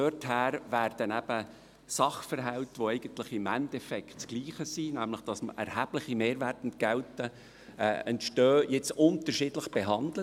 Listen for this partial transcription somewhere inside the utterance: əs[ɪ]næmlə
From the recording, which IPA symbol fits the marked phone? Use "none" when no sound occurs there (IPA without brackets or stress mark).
i